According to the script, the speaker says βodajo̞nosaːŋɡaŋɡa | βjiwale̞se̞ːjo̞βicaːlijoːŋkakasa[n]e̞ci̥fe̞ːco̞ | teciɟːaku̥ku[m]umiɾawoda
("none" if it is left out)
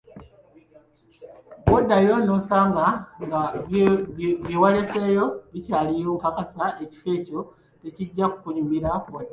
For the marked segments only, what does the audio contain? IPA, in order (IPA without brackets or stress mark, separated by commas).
none, ɲ